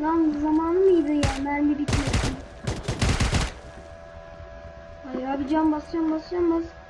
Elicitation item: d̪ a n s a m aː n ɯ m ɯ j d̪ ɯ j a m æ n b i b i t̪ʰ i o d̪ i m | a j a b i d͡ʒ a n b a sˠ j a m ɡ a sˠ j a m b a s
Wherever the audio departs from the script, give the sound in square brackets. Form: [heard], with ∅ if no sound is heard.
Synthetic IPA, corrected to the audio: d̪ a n [z] a m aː n ɯ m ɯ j d̪ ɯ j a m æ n b i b i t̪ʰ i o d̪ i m | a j a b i d͡ʒ a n b a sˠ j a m [b] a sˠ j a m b a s